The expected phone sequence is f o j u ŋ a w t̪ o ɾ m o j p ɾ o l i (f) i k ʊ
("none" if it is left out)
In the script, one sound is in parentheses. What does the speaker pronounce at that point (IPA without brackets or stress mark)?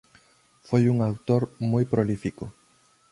f